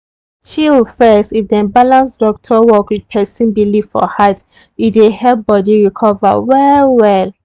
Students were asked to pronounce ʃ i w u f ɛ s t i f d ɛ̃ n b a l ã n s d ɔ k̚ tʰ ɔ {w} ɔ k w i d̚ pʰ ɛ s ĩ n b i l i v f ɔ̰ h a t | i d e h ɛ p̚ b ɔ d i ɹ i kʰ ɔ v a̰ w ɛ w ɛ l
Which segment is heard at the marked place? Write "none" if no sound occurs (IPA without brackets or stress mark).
w